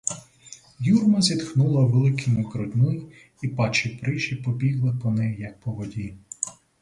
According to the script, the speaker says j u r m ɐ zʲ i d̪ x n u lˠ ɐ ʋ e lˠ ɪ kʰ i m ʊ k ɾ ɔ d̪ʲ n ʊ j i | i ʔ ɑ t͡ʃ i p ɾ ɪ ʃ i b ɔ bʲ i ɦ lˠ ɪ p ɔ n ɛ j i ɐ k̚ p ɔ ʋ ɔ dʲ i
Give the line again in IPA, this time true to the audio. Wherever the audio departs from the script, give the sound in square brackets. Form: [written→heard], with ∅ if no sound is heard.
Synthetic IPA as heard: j u r m ɐ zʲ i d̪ x n u lˠ ɐ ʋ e lˠ ɪ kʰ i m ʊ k ɾ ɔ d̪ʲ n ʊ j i | i [ʔ→p] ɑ t͡ʃ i p ɾ ɪ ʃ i [b→p] ɔ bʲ i ɦ lˠ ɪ p ɔ n ɛ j [i→j] ɐ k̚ p ɔ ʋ ɔ dʲ i

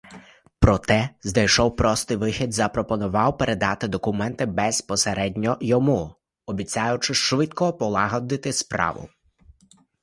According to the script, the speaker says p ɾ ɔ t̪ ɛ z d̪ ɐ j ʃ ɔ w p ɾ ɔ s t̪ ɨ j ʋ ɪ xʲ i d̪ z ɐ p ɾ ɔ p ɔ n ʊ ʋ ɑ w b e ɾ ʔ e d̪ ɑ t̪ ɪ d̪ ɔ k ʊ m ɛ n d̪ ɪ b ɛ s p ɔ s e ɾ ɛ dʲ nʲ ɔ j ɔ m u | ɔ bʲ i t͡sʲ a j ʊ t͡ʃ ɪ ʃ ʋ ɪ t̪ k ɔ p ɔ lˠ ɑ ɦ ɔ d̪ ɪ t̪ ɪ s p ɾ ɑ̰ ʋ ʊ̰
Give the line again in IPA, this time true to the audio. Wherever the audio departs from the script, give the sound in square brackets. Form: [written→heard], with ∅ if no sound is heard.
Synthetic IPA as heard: p ɾ ɔ t̪ ɛ z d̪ ɐ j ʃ ɔ w p ɾ ɔ s t̪ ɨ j ʋ ɪ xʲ i d̪ z ɐ p ɾ ɔ p ɔ n ʊ ʋ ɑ w [b→p] e ɾ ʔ e d̪ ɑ t̪ ɪ d̪ ɔ k ʊ m ɛ n [d̪→t̪] ɪ b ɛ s p ɔ s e ɾ ɛ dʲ nʲ ɔ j ɔ m u | ɔ bʲ i t͡sʲ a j ʊ t͡ʃ ɪ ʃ ʋ ɪ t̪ k ɔ p ɔ lˠ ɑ ɦ ɔ d̪ ɪ t̪ ɪ s p ɾ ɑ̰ ʋ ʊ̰

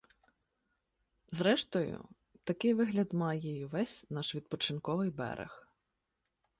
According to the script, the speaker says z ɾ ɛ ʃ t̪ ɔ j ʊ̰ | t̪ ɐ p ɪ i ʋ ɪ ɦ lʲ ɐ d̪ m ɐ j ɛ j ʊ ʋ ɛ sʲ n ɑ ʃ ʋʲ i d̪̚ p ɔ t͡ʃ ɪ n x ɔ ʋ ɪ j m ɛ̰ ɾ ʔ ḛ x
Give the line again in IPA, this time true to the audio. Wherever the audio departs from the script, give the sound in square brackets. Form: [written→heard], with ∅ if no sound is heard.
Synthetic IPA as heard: z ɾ ɛ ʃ t̪ ɔ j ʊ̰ | t̪ ɐ [p→k] ɪ [i→j] ʋ ɪ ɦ lʲ ɐ d̪ m [ɐ→ɑ] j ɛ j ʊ ʋ ɛ sʲ n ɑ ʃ ʋʲ i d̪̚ p ɔ t͡ʃ ɪ n [x→k] ɔ ʋ ɪ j [m→b] ɛ̰ ɾ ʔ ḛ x

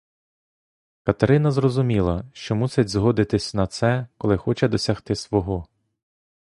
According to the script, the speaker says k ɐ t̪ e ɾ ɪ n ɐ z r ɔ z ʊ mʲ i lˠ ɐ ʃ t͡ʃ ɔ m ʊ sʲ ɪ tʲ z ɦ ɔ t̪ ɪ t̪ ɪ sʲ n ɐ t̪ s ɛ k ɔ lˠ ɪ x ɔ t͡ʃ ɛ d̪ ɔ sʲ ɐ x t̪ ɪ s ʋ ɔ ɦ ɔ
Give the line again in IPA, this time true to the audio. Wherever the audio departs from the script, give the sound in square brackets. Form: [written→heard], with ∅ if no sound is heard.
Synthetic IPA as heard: k ɐ t̪ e ɾ ɪ n ɐ z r ɔ z ʊ mʲ i lˠ ɐ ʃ t͡ʃ ɔ m [ʊ→u] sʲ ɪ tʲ z ɦ ɔ [t̪→d̪] ɪ t̪ ɪ sʲ n ɐ t̪ s ɛ k ɔ lˠ ɪ x ɔ t͡ʃ ɛ d̪ ɔ sʲ ɐ x t̪ ɪ s ʋ ɔ ɦ ɔ

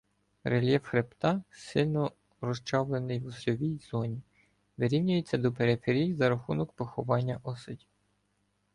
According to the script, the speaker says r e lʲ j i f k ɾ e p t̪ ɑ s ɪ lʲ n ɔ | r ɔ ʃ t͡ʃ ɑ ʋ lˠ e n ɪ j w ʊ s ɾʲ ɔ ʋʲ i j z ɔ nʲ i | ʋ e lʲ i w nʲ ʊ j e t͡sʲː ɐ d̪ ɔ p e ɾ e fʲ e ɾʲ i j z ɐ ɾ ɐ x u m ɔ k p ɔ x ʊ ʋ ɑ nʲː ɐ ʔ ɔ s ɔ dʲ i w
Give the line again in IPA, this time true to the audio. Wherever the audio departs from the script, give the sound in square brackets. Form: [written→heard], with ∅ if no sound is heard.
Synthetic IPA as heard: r e lʲ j [i→ɛ] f [k→x] ɾ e p t̪ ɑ s ɪ lʲ n ɔ | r ɔ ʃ t͡ʃ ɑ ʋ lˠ e n ɪ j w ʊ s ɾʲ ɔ ʋʲ i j z ɔ nʲ i | ʋ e [lʲ→ɾʲ] i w nʲ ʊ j e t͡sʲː ɐ d̪ ɔ p e ɾ e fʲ e ɾʲ i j z ɐ ɾ ɐ x u [m→n] ɔ k p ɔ x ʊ ʋ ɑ nʲː ɐ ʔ ɔ s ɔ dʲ i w

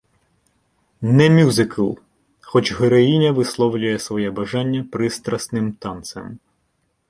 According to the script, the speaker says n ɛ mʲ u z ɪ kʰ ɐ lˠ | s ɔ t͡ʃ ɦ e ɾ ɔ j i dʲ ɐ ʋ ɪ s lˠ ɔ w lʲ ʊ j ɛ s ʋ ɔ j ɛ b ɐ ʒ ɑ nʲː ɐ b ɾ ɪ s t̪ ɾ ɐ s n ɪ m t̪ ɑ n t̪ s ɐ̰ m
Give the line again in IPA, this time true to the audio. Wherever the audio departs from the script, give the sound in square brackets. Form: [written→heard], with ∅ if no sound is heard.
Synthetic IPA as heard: n ɛ mʲ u z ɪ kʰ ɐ lˠ | [s→x] ɔ t͡ʃ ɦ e ɾ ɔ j i [dʲ→nʲ] ɐ ʋ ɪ s lˠ ɔ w lʲ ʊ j ɛ s ʋ ɔ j ɛ b ɐ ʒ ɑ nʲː ɐ [b→p] ɾ ɪ s t̪ ɾ ɐ s n ɪ m t̪ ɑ n t̪ s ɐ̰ m

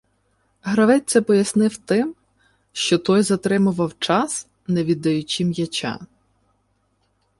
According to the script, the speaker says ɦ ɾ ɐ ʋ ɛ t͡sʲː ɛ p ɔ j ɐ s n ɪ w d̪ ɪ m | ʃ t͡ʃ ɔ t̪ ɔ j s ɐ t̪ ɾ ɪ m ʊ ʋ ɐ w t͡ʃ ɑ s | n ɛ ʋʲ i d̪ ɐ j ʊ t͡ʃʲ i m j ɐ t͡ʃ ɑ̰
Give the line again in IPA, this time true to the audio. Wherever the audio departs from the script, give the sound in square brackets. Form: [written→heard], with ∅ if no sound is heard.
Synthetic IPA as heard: ɦ ɾ ɐ ʋ ɛ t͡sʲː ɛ p ɔ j ɐ s n ɪ w [d̪→t̪] ɪ m | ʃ t͡ʃ ɔ t̪ ɔ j [s→z] ɐ t̪ ɾ ɪ m ʊ ʋ ɐ w t͡ʃ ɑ s | n ɛ ʋʲ i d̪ ɐ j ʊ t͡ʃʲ i m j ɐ t͡ʃ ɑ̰

